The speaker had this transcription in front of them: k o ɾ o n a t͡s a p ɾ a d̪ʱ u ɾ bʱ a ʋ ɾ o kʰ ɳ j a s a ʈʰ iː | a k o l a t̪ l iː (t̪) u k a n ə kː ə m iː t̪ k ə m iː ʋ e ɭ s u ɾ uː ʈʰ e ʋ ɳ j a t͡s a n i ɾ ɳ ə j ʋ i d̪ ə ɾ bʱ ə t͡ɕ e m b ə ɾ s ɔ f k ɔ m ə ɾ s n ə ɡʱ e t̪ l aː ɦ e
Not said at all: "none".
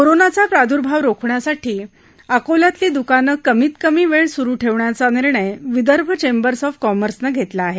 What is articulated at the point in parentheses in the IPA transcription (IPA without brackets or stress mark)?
d̪